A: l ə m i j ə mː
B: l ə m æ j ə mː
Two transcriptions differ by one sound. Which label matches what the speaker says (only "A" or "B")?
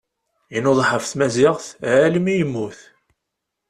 A